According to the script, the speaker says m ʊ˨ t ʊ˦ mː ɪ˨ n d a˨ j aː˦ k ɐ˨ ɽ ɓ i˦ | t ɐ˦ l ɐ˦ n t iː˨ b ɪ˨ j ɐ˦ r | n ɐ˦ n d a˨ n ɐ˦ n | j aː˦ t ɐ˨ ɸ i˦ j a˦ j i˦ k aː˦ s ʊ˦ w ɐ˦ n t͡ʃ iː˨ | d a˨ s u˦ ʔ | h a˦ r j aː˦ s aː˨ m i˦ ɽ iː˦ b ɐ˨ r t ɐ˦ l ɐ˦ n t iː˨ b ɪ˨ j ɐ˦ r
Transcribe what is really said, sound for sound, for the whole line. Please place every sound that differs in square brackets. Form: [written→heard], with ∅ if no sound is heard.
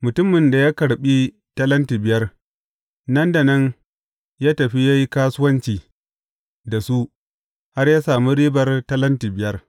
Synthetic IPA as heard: m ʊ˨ t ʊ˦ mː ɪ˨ n d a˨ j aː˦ k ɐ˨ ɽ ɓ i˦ | t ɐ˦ l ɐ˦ n t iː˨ b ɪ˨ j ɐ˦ r | n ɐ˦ n d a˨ n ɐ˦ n | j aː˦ t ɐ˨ ɸ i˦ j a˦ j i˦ k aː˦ s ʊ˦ w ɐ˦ n t͡ʃ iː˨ | d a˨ s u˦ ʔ | h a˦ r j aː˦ s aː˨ m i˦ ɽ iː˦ b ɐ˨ r t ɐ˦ l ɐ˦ n t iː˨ b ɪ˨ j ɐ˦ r